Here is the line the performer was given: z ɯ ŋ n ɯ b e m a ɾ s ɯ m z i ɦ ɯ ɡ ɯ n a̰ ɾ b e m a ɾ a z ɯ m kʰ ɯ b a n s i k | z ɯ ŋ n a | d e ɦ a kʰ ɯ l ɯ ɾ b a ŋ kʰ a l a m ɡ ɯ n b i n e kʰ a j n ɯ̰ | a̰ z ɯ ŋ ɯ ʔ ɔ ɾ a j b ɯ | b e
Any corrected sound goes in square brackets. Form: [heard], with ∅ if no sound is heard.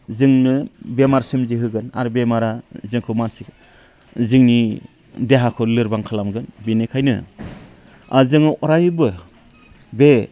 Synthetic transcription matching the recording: z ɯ ŋ n ɯ b e m a ɾ s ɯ m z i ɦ ɯ ɡ ɯ n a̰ ɾ b e m a ɾ a z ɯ [ŋ] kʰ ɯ [m] a n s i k | z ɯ ŋ n [i] | d e ɦ a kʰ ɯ l ɯ ɾ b a ŋ kʰ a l a m ɡ ɯ n b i n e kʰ a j n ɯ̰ | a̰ z ɯ ŋ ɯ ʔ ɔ ɾ a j b ɯ | b e

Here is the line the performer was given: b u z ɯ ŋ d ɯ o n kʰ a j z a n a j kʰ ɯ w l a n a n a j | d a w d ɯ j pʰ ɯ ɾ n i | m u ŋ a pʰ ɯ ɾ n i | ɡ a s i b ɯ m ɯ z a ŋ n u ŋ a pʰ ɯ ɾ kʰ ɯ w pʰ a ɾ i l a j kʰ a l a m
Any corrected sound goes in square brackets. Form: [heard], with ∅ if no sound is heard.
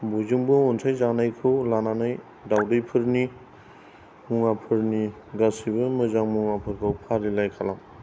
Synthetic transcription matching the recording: b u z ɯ ŋ [b] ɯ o n [tʰ] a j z a n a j kʰ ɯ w l a n a n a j | d a w d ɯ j pʰ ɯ ɾ n i | m u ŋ a pʰ ɯ ɾ n i | ɡ a s i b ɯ m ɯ z a ŋ [m] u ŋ a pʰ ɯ ɾ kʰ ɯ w pʰ a ɾ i l a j kʰ a l a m

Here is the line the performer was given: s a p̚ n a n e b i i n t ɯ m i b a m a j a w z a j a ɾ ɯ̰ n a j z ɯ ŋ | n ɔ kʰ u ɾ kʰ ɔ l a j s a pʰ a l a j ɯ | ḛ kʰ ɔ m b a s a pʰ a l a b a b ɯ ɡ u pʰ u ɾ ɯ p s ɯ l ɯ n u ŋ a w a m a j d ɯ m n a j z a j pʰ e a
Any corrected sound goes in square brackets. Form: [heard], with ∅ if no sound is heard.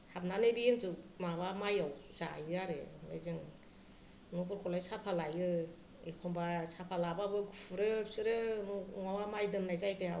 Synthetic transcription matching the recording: [h] a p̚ n a n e b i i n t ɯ m [a] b a m a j a w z a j a ɾ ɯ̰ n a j z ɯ ŋ | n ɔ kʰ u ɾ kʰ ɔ l a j s a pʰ a l a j ɯ | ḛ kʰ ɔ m b a s a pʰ a l a b a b ɯ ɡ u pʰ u ɾ ɯ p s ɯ [ɾ] ɯ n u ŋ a w a m a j d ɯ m n a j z a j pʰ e a

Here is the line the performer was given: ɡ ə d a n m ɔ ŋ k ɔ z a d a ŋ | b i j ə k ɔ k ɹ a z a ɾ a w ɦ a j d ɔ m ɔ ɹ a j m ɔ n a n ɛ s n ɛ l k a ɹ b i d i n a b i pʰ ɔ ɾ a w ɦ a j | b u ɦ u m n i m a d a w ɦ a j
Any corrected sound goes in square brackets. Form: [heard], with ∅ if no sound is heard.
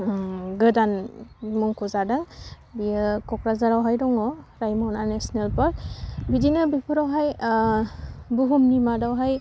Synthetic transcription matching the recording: ɡ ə d a n m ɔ ŋ k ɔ z a d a ŋ | b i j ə k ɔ k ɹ a z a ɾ a w ɦ a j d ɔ [ŋ] ɔ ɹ a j m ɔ n a n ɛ s n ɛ l [p] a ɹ b i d i n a b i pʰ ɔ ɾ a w ɦ a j | b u ɦ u m n i m a d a w ɦ a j

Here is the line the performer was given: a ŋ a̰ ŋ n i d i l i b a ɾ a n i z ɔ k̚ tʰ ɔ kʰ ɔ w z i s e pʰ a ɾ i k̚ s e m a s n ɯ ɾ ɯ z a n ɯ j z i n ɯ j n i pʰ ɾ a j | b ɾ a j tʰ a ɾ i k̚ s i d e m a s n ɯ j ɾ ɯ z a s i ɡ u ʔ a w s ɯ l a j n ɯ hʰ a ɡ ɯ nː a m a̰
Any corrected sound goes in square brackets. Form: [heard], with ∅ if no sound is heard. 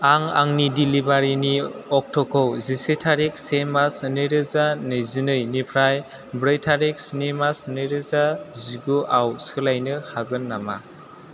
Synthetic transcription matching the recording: a ŋ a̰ ŋ n i d i l i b a ɾ [i] n i [∅] ɔ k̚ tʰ ɔ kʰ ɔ w z i s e [tʰ] a ɾ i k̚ s e m a s n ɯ ɾ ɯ z a n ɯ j z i n ɯ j n i pʰ ɾ a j | b ɾ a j tʰ a ɾ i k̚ s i [n] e m a s n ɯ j ɾ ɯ z a [z] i ɡ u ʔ a w s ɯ l a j n ɯ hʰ a ɡ ɯ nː a m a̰

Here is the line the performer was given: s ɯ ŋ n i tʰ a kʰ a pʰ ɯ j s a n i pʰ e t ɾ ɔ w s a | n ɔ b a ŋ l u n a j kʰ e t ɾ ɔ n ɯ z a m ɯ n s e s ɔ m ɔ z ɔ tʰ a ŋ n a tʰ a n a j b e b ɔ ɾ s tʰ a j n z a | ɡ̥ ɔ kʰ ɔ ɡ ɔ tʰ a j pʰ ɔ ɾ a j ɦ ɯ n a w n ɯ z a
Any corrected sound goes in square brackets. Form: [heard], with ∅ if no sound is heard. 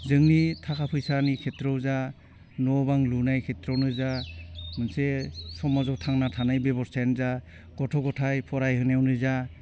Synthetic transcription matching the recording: [z] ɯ ŋ n i tʰ a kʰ a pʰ ɯ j s a n i [kʰ] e t ɾ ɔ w [z] a | n ɔ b a ŋ l u n a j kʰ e t ɾ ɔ n ɯ z a m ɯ n s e s ɔ m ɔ z ɔ tʰ a ŋ n a tʰ a n a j b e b ɔ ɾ s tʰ a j n z a | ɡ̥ ɔ [tʰ] ɔ ɡ ɔ tʰ a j pʰ ɔ ɾ a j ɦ ɯ n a w n ɯ z a

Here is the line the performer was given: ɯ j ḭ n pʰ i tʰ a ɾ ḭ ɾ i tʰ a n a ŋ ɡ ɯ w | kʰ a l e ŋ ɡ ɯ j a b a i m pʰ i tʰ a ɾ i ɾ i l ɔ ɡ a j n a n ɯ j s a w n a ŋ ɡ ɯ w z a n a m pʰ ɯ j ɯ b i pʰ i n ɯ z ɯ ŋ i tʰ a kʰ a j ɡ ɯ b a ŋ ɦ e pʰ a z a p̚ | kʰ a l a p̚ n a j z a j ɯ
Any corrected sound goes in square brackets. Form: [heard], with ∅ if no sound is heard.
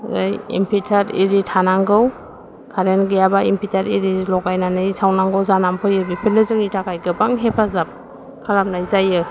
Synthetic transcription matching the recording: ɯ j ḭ [m] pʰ i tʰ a ɾ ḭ ɾ i tʰ a n a ŋ ɡ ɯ w | kʰ a [ɾ] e [n] ɡ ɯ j a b a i m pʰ i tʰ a ɾ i ɾ i l ɔ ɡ a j n a n ɯ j s a w n a ŋ ɡ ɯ w z a n a m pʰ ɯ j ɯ b i pʰ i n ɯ z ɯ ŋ i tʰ a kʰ a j ɡ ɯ b a ŋ ɦ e pʰ a z a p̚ | kʰ a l a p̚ n a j z a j ɯ

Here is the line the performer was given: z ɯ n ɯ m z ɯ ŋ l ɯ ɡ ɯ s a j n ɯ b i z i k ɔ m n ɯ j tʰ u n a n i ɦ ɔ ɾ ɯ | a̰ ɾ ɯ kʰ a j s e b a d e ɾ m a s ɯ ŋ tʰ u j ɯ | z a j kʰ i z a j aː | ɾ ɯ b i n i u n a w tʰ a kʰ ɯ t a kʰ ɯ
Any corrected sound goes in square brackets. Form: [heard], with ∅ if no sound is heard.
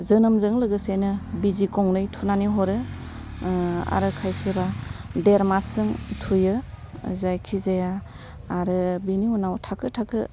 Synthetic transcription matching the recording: z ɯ n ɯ m z ɯ ŋ l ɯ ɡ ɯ s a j n ɯ b i z i k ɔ [ŋ] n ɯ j tʰ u n a n i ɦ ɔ ɾ ɯ | a̰ ɾ ɯ kʰ a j s e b a d e ɾ m a s ɯ ŋ tʰ u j ɯ | z a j kʰ i z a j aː | ɾ ɯ b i n i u n a w tʰ a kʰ ɯ [tʰ] a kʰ ɯ

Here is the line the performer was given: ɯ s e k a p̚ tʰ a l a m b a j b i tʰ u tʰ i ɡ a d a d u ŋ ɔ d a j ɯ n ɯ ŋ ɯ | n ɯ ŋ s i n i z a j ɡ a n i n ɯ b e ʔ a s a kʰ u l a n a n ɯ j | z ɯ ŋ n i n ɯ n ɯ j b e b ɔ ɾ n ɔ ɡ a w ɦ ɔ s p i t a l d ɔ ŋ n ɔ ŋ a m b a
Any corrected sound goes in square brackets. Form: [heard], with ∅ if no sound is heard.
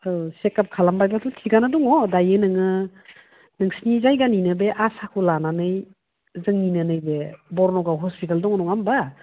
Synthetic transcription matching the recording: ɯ s e k a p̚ [kʰ] a l a m b a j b [a] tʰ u tʰ i ɡ a [n] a d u ŋ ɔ d a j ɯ n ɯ ŋ ɯ | n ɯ ŋ s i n i z a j ɡ a n i n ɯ b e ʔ a s a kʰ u l a n a n ɯ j | z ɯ ŋ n i n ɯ n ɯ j b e b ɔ ɾ n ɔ ɡ a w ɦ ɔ s p i t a l d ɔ ŋ n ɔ ŋ a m b a

